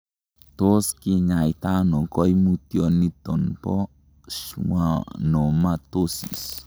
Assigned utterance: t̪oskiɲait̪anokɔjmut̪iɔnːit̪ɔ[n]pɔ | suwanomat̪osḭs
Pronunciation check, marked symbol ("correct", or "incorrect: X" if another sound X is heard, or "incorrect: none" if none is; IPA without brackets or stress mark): correct